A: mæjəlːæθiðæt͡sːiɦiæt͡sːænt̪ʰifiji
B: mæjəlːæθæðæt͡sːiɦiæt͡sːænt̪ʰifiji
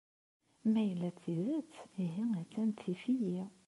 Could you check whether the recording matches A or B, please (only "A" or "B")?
A